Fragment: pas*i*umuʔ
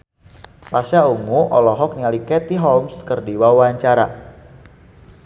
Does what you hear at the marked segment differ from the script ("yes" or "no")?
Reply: yes